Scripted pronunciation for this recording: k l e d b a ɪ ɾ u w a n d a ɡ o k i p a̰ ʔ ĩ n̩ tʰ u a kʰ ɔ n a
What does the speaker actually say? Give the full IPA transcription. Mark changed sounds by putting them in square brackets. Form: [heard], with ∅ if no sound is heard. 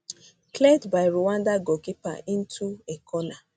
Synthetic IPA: k l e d b a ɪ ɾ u w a n d a ɡ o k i p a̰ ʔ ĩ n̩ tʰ u [e] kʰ ɔ n a